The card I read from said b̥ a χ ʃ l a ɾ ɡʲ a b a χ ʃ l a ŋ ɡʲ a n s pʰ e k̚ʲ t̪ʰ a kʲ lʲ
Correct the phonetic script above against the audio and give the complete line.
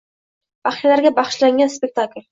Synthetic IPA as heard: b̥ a χ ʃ l a ɾ ɡʲ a b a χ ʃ l a ŋ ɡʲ a n s p e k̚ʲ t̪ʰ a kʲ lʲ